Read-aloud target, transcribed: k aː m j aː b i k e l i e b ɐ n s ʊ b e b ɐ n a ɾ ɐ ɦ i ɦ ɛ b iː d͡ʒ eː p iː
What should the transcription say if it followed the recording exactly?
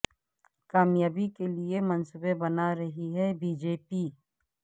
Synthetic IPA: k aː m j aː b i k e l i e m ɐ n s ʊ b e b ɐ n a ɾ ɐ ɦ i ɦ ɛ b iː d͡ʒ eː p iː